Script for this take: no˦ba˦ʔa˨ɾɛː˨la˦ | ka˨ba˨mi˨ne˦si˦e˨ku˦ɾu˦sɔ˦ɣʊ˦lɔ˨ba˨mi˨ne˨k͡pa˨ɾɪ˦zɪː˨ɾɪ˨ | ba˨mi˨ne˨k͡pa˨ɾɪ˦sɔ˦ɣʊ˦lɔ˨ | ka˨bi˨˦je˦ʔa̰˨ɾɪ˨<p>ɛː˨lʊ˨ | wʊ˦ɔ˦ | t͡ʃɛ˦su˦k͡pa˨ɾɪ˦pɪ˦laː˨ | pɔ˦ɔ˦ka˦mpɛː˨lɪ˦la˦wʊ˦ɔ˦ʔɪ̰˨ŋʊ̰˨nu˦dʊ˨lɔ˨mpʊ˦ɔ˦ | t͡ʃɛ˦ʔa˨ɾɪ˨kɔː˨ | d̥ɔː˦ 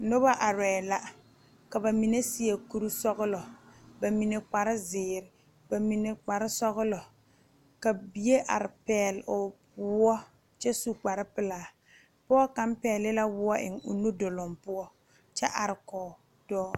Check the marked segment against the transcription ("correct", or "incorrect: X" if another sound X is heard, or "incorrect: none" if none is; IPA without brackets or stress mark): correct